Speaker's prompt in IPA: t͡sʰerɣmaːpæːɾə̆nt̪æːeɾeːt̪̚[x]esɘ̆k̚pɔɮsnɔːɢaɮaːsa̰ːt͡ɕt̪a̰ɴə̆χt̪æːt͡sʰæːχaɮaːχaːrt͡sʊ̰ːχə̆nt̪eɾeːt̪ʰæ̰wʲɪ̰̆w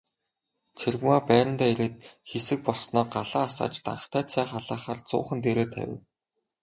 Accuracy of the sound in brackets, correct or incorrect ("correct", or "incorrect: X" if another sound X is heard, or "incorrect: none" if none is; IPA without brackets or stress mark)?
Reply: correct